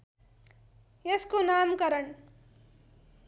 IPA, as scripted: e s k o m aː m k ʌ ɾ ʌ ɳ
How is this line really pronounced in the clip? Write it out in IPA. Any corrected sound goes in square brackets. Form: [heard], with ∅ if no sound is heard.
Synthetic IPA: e s k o [n] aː m k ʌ ɾ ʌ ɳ